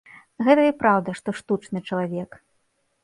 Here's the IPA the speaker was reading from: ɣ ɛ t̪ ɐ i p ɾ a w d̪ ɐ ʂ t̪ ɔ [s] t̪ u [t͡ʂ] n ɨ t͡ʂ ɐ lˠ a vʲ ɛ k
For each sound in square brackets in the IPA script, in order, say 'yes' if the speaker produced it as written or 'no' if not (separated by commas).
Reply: no, yes